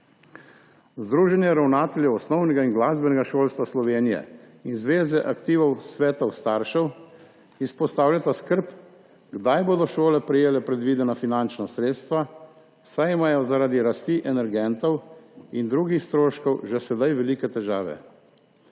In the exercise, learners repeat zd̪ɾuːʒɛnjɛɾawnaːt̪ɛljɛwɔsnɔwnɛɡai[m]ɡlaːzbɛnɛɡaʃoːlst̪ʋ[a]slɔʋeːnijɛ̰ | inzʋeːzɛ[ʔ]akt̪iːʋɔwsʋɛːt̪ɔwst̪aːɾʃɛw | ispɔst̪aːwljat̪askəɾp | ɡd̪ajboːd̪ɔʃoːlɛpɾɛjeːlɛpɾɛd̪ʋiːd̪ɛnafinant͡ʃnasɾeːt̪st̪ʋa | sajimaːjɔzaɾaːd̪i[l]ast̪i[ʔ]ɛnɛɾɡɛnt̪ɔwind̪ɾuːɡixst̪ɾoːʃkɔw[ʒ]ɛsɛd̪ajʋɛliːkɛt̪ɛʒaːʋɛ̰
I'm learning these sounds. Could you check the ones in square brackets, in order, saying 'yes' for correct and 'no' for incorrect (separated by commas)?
no, yes, yes, no, yes, yes